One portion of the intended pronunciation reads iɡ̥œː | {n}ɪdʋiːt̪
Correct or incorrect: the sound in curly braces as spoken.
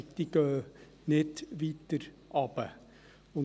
correct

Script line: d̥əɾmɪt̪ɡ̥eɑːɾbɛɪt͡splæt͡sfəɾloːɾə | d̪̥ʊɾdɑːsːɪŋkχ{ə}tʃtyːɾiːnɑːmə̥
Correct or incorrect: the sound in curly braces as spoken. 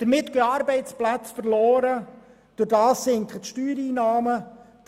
correct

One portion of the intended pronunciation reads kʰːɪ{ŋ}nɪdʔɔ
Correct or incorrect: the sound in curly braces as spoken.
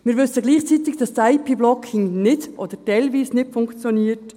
correct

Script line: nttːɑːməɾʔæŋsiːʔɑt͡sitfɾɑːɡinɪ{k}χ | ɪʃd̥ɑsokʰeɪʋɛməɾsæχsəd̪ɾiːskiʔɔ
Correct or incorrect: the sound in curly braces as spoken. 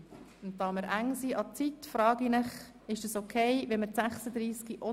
incorrect: none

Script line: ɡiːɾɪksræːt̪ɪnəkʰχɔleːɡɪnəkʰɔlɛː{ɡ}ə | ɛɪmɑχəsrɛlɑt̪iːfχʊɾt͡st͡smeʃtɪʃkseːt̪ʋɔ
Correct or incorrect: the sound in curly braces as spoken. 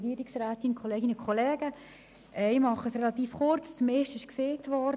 correct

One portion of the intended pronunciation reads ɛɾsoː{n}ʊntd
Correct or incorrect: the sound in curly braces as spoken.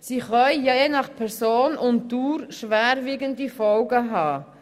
correct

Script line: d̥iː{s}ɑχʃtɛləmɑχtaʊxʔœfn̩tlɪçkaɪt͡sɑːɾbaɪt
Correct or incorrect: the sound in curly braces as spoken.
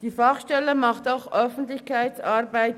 incorrect: f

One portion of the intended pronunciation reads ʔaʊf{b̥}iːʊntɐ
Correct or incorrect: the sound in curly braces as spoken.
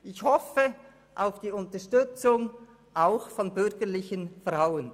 incorrect: d̥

